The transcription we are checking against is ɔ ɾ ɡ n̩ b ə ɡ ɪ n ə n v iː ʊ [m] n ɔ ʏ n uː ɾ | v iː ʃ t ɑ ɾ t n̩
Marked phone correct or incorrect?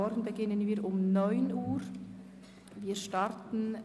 correct